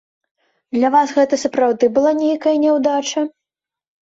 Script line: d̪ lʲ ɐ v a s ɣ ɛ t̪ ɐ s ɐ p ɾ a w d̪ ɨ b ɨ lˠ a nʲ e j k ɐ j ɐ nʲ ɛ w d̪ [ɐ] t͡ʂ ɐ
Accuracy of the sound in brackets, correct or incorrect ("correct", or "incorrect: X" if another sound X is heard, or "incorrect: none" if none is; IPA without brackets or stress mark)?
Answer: incorrect: a